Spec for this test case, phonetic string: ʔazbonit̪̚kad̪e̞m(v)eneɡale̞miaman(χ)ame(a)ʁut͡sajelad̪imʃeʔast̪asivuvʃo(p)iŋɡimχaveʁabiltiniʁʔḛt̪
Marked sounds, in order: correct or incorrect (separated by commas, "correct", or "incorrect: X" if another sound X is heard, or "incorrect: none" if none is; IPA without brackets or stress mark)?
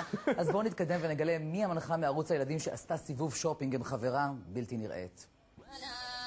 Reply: correct, correct, correct, correct